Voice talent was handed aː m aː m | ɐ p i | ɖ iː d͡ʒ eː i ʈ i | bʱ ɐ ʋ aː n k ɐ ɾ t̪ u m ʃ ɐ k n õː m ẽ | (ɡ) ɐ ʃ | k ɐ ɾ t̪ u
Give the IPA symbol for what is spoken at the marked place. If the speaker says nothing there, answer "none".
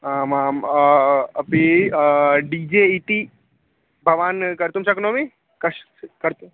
k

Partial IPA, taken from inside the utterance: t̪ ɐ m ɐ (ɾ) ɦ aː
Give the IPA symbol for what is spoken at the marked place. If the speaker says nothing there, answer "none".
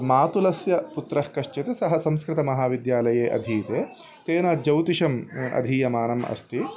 none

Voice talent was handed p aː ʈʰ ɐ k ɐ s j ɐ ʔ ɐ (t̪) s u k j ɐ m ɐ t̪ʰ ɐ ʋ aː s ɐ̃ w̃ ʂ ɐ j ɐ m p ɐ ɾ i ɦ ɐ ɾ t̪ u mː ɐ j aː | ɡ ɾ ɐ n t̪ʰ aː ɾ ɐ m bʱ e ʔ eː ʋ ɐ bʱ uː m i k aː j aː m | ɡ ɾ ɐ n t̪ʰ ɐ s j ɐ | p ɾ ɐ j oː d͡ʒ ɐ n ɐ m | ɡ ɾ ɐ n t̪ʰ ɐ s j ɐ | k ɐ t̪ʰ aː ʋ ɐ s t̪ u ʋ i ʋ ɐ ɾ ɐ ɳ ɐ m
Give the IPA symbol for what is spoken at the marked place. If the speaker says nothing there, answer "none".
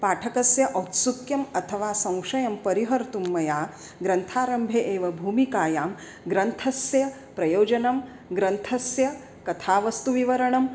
t̪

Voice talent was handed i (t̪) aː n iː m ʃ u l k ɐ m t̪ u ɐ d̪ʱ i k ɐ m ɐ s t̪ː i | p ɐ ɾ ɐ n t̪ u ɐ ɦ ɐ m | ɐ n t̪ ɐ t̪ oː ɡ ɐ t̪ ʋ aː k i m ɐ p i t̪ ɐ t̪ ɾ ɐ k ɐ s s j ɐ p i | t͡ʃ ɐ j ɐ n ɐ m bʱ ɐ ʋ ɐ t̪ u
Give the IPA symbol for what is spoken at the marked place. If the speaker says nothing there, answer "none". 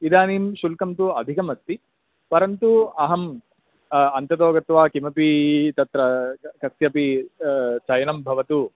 d̪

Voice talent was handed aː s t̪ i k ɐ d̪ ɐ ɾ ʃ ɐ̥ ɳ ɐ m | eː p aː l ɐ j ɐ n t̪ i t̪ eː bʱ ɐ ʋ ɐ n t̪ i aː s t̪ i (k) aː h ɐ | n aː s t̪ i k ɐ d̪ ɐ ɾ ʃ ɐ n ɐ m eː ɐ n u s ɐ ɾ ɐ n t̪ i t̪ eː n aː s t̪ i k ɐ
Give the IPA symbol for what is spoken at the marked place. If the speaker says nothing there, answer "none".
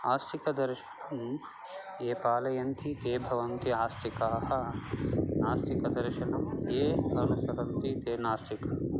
k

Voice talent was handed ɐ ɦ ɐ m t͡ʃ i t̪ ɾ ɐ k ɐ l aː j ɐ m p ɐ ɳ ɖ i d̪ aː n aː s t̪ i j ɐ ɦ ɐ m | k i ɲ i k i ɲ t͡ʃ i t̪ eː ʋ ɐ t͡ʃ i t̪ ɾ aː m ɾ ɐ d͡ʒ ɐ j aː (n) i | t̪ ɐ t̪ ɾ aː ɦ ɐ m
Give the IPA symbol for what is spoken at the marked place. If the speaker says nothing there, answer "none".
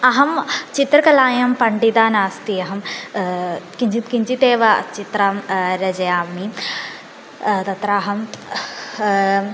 m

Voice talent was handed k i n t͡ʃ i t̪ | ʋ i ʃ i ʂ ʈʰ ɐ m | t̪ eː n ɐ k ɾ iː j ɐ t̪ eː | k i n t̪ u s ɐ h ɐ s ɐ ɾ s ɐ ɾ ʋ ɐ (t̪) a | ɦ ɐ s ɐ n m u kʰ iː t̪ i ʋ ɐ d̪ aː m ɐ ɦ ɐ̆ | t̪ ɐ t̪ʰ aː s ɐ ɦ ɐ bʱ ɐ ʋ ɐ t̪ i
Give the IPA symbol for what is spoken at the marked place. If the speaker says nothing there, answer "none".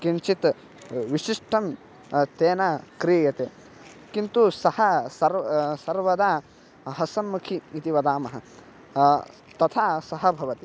d̪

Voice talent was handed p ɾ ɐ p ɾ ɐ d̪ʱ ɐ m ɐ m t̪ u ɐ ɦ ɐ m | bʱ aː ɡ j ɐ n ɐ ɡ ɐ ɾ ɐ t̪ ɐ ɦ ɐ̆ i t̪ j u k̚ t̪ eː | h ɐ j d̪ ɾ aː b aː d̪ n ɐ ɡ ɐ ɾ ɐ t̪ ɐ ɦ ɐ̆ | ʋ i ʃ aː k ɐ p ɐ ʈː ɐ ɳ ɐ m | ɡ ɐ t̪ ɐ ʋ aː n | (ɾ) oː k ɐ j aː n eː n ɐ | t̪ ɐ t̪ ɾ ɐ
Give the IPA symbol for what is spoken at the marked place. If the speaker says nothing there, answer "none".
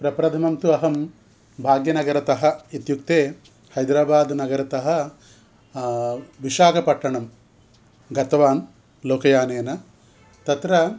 l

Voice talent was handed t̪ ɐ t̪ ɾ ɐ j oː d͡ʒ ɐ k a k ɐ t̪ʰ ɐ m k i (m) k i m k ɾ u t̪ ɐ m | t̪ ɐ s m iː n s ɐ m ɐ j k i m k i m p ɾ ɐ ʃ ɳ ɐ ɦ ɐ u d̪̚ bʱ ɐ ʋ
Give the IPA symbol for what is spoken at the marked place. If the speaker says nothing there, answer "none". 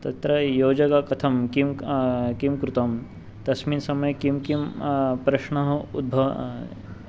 m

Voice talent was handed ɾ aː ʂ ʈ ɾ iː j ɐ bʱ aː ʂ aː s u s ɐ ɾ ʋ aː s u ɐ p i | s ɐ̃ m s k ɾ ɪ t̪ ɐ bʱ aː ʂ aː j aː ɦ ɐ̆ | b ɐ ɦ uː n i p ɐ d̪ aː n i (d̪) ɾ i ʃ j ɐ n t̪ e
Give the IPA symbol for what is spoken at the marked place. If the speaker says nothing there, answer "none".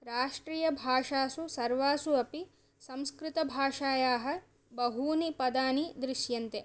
d̪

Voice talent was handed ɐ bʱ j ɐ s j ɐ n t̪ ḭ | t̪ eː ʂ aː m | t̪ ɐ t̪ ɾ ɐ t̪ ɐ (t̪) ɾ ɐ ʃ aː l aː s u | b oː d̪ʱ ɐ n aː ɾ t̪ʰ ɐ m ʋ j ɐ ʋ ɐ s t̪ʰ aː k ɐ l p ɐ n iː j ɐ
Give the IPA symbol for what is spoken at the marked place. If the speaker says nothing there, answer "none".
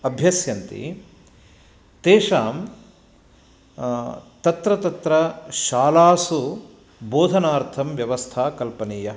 t̪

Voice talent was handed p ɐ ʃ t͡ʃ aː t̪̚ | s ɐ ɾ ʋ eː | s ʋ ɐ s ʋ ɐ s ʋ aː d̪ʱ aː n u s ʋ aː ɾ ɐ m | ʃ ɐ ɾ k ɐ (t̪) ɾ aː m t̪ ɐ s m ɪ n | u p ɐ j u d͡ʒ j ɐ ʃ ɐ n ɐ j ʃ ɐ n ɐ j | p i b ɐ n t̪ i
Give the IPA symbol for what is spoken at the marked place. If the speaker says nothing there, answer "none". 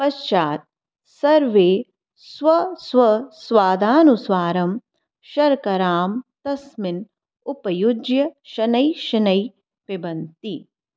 none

